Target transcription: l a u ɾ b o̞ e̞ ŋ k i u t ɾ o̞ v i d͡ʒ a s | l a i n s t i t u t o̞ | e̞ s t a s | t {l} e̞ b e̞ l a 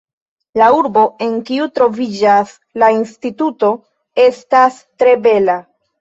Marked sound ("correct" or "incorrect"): incorrect